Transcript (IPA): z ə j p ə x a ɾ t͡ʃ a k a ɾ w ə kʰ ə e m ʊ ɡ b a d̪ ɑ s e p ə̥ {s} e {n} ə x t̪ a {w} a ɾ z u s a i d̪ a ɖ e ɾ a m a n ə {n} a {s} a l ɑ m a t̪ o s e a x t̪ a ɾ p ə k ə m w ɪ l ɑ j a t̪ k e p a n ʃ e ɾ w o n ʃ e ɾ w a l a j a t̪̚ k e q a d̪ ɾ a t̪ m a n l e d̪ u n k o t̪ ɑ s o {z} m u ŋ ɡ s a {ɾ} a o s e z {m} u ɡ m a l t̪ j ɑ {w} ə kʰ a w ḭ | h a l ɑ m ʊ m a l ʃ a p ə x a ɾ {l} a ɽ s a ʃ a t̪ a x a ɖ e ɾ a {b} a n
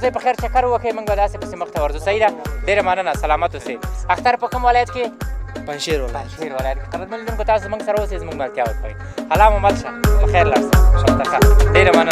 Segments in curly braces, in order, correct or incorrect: correct, incorrect: m, correct, correct, correct, correct, correct, correct, correct, correct, incorrect: m

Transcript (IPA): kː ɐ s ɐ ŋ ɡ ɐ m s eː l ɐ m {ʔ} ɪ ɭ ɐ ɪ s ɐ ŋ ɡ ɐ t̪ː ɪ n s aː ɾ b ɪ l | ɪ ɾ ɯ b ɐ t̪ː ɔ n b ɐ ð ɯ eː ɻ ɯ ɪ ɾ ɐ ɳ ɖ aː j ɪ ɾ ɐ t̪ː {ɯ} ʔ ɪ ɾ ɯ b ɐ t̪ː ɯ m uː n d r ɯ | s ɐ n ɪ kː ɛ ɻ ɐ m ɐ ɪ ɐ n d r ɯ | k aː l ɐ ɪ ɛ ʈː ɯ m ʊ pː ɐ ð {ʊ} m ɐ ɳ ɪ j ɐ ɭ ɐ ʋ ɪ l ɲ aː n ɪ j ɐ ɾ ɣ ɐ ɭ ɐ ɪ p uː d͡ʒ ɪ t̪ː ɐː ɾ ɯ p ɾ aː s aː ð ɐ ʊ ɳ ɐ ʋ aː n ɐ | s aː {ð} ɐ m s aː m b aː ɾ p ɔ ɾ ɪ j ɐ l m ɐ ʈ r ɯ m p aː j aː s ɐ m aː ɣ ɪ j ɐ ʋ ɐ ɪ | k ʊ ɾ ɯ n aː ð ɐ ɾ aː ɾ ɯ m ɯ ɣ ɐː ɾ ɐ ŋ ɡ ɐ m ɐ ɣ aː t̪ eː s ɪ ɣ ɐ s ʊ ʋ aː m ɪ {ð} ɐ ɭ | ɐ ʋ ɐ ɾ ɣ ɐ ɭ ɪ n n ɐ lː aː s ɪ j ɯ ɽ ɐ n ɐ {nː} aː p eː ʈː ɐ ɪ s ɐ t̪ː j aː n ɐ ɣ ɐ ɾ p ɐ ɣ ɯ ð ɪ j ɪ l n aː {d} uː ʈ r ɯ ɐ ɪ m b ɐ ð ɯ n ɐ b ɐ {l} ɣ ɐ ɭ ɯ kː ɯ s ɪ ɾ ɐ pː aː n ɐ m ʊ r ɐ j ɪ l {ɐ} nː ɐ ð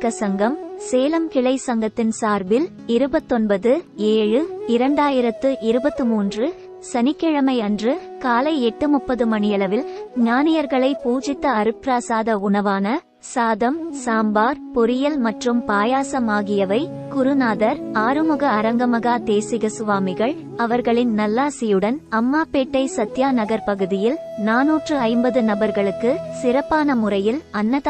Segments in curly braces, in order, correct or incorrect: incorrect: k, correct, incorrect: ɯ, correct, incorrect: ɣ, incorrect: mː, incorrect: n, incorrect: ɾ, correct

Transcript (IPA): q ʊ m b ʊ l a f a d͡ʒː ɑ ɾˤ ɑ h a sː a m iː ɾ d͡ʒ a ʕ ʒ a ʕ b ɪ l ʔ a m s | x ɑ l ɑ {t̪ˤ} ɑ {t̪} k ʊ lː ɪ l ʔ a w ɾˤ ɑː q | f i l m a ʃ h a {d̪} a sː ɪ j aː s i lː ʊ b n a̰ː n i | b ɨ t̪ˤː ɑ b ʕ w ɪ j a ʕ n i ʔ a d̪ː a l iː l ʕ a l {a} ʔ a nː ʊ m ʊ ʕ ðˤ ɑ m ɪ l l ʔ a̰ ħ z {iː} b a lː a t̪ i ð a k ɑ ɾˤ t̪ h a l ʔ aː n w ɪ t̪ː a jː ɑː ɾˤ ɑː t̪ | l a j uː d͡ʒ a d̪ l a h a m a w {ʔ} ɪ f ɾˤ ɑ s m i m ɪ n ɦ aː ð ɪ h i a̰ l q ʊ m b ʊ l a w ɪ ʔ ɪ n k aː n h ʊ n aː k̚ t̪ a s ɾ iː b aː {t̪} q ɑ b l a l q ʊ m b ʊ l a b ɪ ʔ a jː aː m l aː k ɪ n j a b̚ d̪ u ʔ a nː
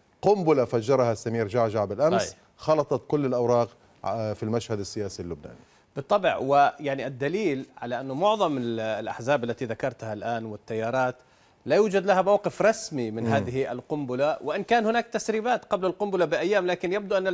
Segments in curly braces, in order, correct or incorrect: correct, correct, correct, correct, incorrect: aː, incorrect: q, correct

